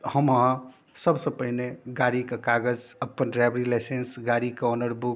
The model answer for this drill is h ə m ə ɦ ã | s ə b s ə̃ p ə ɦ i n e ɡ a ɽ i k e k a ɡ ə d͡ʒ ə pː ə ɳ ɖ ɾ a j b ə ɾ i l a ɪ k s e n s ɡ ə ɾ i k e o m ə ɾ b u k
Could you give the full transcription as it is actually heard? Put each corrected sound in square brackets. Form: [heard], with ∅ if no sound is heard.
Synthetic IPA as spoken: h ə m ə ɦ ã | s ə b s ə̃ p ə ɦ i n e ɡ a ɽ i k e k a ɡ ə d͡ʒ ə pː ə [n] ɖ ɾ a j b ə ɾ i l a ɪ [∅] s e n s ɡ [a] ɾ i k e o [n] ə ɾ b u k